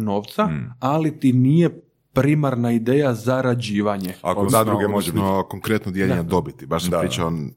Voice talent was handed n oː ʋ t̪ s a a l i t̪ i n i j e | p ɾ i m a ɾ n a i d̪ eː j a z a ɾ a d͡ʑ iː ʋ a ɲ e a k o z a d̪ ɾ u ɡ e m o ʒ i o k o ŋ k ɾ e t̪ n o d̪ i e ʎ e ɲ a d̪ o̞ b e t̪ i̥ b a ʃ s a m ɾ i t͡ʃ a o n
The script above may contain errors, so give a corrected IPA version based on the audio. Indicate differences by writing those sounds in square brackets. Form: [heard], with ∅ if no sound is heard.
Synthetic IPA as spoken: n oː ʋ t̪ s a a l i t̪ i n i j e | p ɾ i m a ɾ n a i d̪ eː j a z a ɾ a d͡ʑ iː ʋ a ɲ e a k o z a d̪ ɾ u ɡ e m o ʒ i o k o ŋ k ɾ e t̪ n o d̪ [j] e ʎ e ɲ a d̪ o̞ b [i] t̪ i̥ b a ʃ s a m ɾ i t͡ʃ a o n